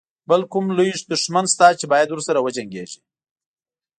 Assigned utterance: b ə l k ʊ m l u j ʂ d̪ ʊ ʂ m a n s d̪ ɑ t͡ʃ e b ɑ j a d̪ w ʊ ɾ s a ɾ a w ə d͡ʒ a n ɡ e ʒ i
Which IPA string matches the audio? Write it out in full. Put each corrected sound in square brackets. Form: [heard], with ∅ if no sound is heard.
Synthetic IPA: b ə l k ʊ m l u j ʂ d̪ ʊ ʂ m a n s [t̪] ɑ t͡ʃ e b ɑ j a d̪ w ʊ ɾ s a ɾ a w ə d͡ʒ a [ŋ] ɡ e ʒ i